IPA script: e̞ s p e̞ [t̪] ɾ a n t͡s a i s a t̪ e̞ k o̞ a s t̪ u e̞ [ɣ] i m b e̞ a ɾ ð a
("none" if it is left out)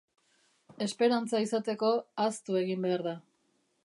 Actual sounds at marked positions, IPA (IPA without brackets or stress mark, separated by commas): none, ɣ